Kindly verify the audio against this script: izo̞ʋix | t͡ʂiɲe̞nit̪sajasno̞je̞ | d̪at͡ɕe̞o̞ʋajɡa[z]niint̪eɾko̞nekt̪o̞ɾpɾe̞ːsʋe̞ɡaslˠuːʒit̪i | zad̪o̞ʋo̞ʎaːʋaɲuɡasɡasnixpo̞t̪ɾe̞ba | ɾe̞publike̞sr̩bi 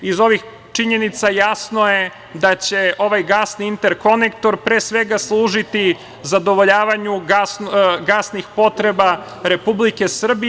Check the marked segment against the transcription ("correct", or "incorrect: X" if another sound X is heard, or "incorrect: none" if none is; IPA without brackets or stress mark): incorrect: s